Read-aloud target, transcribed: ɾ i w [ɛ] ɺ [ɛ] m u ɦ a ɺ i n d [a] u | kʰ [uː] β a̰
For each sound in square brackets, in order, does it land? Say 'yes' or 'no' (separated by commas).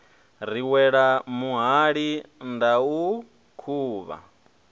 yes, no, yes, yes